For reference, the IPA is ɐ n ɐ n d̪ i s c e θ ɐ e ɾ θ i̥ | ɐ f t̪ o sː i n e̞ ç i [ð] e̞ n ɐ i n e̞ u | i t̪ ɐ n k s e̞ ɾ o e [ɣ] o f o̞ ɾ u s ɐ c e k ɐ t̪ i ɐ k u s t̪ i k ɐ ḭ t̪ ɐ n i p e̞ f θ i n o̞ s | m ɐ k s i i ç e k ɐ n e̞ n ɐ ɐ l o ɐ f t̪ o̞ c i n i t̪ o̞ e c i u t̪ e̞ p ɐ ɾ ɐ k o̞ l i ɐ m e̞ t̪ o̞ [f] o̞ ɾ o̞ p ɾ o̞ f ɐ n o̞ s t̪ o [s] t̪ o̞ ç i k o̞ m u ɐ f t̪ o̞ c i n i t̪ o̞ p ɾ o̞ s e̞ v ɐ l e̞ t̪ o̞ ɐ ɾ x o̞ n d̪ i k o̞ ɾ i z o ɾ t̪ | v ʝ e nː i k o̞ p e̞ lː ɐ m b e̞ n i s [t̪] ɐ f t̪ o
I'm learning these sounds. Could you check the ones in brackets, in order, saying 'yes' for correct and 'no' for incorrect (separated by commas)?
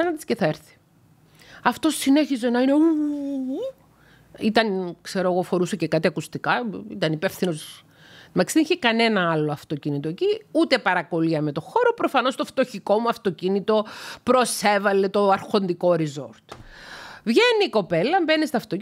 no, yes, no, no, yes